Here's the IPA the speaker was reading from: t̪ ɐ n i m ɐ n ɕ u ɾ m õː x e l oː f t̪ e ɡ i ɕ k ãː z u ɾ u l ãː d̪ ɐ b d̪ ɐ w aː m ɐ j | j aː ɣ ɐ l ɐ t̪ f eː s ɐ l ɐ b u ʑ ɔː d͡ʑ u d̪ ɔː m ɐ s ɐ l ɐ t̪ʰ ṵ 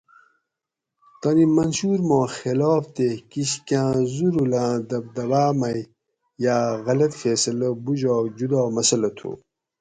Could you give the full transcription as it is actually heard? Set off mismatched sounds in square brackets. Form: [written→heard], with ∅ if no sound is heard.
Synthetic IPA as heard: t̪ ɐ n i m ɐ n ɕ u ɾ m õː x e l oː f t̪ e [ɡ→k] i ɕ k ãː z u ɾ u l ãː d̪ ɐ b d̪ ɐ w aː m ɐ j | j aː ɣ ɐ l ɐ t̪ f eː s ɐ l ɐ b u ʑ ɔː d͡ʑ u d̪ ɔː m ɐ s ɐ l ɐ t̪ʰ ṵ